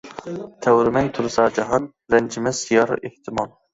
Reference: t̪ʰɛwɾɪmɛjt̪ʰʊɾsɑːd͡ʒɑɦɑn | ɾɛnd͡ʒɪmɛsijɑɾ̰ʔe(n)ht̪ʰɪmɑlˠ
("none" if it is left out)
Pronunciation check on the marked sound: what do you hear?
none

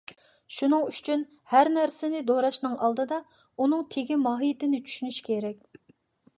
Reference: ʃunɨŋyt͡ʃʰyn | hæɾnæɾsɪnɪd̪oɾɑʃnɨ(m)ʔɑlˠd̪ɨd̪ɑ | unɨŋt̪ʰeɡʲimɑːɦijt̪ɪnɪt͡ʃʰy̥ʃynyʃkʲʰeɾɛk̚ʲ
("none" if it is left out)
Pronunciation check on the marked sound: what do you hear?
ŋ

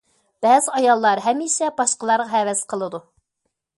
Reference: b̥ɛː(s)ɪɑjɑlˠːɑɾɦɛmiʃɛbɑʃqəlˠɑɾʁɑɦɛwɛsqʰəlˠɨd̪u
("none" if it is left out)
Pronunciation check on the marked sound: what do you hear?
z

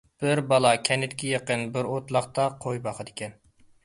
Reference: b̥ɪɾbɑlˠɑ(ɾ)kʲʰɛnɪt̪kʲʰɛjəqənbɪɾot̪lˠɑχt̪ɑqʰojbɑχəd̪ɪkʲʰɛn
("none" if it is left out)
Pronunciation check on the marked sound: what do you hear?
none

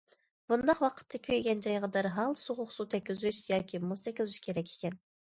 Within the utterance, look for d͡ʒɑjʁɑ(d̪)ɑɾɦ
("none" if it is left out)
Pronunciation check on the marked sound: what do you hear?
d̪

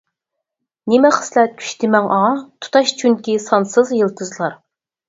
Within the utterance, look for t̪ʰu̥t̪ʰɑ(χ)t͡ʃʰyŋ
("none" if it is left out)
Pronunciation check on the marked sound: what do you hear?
ʃ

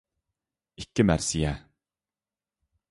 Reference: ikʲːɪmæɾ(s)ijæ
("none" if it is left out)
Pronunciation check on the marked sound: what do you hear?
s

